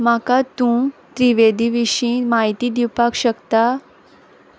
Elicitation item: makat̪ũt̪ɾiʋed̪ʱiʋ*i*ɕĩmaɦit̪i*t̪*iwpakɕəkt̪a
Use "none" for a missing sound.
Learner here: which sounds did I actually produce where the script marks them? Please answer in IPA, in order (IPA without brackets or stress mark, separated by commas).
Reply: i, d̪